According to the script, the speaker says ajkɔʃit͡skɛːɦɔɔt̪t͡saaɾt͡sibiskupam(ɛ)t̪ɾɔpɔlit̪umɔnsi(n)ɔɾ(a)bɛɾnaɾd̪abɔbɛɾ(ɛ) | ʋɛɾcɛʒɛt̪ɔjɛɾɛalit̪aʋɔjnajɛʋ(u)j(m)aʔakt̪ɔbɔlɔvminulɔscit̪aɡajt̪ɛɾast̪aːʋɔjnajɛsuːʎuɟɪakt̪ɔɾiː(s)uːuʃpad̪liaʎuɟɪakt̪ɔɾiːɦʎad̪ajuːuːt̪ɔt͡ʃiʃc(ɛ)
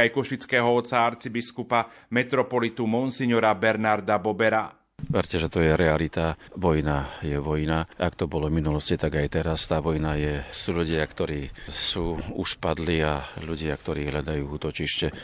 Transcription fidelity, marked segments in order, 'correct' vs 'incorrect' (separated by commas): correct, incorrect, correct, incorrect, incorrect, incorrect, correct, correct